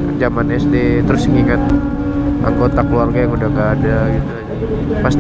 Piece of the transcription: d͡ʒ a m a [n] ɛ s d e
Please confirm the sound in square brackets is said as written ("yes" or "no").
yes